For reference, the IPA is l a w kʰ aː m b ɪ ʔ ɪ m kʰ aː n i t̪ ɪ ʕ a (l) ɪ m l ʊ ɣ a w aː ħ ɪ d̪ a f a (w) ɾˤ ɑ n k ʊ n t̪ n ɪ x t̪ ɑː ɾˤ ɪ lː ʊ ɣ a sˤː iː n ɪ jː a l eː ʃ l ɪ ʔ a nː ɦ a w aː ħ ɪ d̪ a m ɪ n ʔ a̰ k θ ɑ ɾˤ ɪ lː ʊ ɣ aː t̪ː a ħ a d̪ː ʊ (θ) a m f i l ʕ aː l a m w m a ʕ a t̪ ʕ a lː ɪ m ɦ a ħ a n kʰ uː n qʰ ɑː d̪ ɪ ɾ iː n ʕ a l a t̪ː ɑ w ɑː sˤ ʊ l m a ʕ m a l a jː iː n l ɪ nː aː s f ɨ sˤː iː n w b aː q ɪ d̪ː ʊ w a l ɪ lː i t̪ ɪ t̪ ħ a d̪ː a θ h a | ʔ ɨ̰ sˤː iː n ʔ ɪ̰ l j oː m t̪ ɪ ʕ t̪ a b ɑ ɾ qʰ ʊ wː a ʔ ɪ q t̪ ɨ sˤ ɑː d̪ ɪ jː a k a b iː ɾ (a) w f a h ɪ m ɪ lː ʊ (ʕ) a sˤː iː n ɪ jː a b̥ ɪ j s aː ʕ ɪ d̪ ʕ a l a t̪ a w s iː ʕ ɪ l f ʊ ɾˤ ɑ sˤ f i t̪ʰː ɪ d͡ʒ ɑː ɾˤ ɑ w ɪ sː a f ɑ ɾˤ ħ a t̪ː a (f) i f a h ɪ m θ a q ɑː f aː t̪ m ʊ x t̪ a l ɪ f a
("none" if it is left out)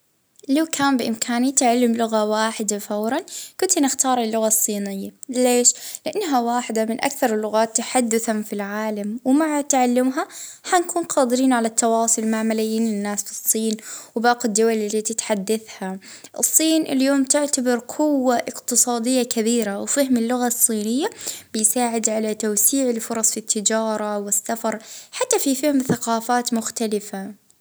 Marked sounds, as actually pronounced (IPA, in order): lː, w, θ, a, ɣ, f

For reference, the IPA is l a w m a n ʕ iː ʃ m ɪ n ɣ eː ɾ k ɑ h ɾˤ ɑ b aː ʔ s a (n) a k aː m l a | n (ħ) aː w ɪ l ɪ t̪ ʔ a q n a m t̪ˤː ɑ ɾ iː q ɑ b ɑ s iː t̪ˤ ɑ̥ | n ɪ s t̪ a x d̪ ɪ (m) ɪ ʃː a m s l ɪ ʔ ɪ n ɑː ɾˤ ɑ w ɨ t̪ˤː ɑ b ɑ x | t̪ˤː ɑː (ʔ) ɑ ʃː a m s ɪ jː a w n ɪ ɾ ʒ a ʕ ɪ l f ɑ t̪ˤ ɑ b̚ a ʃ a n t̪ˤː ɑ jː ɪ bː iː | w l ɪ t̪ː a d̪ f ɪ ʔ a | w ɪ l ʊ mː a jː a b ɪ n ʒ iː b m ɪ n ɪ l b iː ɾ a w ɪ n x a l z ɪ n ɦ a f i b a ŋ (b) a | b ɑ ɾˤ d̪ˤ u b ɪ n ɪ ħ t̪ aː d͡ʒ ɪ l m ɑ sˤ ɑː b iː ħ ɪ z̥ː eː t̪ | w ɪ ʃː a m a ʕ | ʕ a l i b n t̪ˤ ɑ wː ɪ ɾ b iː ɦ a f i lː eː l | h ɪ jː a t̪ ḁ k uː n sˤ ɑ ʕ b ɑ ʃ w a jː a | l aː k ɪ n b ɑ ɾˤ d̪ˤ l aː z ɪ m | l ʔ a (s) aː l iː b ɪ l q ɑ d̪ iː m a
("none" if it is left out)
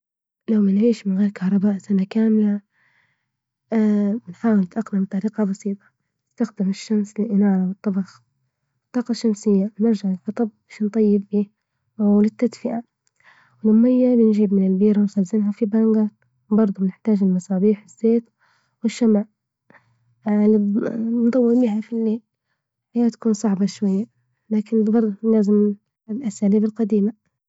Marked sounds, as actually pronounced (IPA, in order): n, ħ, m, q, ɡ, s

